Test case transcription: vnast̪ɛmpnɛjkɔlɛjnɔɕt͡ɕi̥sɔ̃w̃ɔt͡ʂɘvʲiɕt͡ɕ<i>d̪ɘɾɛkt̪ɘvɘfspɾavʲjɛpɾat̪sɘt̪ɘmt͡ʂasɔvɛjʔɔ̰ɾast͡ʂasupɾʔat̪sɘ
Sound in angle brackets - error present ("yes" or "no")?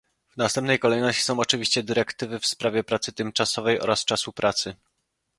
yes